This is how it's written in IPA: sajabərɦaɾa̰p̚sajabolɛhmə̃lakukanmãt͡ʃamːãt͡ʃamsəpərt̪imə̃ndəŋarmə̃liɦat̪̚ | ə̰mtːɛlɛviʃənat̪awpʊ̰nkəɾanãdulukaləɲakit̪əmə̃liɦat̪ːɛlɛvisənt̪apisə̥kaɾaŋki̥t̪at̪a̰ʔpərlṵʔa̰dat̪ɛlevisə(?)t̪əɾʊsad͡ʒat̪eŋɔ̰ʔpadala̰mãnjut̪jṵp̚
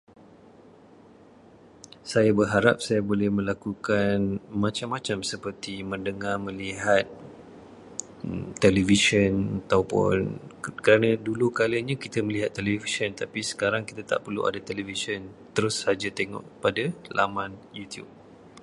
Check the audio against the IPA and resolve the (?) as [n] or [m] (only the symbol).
n